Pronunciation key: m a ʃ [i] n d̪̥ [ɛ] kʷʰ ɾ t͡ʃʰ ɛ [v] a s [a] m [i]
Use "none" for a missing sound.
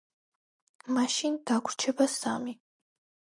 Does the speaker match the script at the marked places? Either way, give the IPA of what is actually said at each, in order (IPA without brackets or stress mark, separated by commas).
i, a, b, a, i